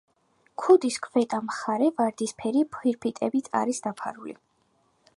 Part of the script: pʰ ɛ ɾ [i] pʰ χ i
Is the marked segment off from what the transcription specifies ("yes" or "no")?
no